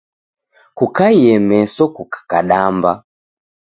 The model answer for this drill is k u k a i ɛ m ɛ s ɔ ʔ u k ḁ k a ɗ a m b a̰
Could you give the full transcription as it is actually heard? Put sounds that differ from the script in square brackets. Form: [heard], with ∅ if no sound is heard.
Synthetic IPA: k u k a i ɛ m ɛ s ɔ [k] u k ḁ k a ɗ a m b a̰